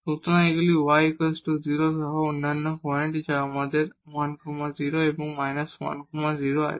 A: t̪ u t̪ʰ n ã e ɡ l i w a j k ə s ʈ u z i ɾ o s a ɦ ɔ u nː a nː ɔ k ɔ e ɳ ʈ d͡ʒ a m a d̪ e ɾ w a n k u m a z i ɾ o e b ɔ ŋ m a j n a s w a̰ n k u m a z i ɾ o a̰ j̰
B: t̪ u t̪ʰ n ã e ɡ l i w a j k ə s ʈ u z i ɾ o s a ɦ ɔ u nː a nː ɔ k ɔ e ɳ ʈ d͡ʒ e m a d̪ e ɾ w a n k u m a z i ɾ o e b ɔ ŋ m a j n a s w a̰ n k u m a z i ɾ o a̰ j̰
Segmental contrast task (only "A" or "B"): A